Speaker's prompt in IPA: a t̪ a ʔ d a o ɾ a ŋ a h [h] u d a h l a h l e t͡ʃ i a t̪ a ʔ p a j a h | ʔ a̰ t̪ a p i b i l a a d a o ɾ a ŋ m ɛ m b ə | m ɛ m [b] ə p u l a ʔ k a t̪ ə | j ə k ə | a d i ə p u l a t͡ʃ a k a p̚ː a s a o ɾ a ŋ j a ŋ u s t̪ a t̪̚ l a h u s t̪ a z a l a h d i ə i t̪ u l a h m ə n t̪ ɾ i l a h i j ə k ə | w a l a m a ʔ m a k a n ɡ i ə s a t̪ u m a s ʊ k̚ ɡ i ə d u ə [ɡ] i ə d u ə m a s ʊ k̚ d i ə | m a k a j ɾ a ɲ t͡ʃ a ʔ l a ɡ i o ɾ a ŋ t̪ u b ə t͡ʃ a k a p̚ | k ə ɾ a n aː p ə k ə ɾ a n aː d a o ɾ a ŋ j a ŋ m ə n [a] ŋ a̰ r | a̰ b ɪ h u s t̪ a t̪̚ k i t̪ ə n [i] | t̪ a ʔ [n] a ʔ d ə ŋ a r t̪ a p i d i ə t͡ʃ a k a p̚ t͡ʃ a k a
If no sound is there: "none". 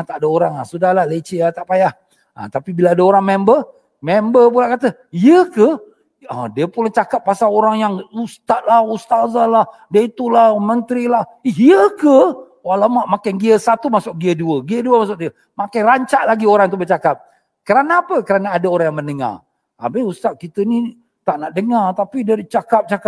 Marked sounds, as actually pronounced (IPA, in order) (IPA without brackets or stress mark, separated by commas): s, b, ɡ, ə, i, n